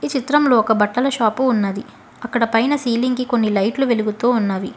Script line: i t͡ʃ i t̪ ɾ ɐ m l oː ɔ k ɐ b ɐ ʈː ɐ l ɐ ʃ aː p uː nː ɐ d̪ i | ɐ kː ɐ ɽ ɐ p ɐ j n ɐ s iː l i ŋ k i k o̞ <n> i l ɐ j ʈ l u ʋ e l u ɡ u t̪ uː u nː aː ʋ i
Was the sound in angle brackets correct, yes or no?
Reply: no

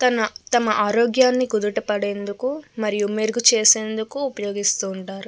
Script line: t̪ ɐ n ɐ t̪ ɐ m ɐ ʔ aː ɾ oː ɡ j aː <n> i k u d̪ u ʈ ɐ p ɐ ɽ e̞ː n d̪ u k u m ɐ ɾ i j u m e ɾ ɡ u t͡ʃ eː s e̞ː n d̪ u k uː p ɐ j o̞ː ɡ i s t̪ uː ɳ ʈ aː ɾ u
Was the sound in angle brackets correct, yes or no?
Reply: no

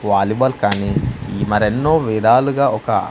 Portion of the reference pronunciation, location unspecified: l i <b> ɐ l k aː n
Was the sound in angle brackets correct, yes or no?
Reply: yes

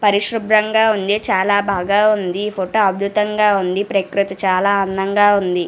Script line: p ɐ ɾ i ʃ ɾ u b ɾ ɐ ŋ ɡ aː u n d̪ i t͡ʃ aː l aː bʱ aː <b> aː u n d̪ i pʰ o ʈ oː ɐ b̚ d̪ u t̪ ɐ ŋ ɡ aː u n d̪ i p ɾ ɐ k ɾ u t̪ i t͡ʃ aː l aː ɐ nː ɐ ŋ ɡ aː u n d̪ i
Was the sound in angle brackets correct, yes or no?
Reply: no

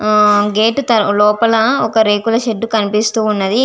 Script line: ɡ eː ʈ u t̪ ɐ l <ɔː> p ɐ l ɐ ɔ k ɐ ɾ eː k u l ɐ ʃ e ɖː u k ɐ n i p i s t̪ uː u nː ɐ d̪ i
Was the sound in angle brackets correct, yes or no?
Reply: yes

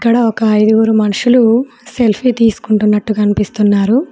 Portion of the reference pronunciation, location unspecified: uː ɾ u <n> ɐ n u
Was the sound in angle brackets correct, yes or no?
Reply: no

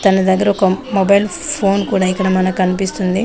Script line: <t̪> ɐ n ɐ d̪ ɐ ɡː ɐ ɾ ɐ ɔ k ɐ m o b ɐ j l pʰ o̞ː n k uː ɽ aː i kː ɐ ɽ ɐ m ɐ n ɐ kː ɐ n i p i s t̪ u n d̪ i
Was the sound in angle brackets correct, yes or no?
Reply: yes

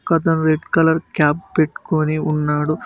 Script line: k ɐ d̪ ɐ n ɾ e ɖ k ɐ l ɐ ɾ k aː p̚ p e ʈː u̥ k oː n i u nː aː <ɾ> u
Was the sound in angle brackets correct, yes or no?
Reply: no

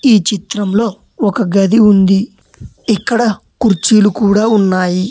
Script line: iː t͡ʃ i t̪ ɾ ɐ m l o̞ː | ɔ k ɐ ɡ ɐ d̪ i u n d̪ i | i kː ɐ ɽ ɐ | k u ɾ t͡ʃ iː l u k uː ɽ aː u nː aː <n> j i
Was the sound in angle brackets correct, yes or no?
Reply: no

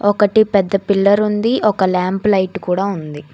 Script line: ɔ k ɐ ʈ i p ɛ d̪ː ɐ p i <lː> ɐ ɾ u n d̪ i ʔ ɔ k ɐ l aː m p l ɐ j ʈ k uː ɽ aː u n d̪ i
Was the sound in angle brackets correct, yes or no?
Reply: yes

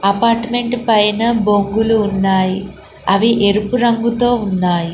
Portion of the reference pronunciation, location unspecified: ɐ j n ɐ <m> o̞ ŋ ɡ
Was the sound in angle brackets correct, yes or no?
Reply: no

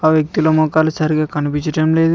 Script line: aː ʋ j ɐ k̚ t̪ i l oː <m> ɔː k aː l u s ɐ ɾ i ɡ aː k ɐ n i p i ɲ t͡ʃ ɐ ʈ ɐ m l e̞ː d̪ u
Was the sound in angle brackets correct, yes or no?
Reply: yes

